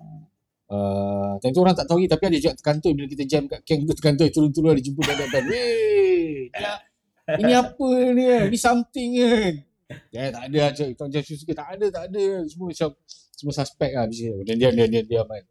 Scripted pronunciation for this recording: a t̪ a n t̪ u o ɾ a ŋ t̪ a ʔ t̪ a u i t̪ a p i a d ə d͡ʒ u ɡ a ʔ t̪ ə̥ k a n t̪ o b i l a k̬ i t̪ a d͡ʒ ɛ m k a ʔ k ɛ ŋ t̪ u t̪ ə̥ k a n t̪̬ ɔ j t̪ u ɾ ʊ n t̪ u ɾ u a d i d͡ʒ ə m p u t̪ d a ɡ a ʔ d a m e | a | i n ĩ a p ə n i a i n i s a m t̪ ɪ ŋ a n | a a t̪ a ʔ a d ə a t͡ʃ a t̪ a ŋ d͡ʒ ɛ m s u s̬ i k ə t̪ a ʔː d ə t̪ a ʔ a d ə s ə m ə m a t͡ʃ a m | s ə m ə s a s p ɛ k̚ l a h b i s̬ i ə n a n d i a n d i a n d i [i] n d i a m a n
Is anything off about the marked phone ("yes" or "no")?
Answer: yes